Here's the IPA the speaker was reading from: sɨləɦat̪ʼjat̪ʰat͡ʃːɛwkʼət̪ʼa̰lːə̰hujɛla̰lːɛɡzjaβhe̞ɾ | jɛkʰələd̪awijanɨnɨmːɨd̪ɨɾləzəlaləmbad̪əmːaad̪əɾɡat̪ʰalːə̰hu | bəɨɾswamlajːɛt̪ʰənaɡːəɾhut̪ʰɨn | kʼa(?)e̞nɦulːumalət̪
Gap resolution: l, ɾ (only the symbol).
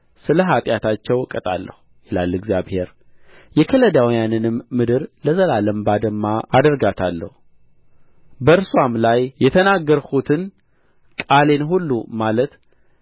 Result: l